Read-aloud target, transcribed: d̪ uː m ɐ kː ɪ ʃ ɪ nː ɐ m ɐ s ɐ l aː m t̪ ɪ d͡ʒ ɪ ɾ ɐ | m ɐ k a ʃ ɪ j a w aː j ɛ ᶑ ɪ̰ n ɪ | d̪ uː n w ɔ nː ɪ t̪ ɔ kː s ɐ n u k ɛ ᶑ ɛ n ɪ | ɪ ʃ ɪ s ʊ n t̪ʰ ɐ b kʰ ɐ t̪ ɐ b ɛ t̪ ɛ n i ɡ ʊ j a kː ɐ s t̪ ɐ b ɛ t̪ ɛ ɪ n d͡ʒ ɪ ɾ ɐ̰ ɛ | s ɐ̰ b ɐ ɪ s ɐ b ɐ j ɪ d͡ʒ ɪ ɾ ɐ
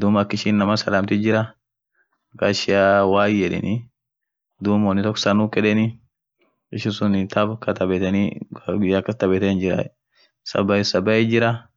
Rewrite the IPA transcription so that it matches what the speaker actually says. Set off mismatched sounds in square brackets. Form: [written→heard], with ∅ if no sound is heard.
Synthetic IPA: d̪ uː m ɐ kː ɪ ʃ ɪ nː ɐ m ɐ s ɐ l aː m t̪ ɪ d͡ʒ ɪ ɾ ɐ | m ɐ k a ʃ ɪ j a w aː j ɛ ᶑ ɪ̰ n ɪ | d̪ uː [n→m] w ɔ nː ɪ t̪ ɔ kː s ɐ n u k ɛ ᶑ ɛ n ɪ | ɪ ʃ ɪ s ʊ n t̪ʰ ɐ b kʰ ɐ t̪ ɐ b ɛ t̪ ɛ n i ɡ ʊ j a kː ɐ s t̪ ɐ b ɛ t̪ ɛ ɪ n d͡ʒ ɪ ɾ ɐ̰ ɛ | s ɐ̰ b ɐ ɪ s ɐ b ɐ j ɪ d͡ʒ ɪ ɾ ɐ